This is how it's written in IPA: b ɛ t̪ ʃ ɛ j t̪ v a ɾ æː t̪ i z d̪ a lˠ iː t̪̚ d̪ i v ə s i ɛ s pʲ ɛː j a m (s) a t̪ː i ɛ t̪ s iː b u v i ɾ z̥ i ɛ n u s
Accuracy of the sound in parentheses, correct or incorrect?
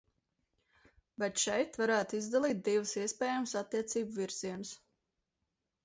correct